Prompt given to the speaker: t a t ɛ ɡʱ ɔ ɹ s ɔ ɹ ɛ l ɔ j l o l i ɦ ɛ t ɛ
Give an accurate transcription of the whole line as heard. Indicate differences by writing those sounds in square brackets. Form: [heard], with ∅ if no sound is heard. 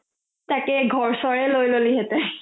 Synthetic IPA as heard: t a [k] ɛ ɡʱ ɔ ɹ s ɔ ɹ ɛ l [o] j l o l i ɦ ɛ t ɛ